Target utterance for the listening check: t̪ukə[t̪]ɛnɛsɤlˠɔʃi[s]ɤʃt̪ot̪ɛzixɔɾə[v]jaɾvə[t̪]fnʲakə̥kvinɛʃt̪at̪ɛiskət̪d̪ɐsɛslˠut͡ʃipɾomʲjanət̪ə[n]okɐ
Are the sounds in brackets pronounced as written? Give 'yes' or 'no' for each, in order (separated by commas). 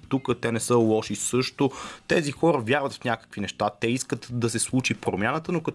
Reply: yes, yes, yes, yes, yes